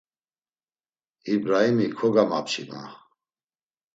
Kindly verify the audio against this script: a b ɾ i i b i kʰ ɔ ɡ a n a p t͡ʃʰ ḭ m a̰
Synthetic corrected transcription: i b ɾ a i m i kʰ ɔ ɡ a m a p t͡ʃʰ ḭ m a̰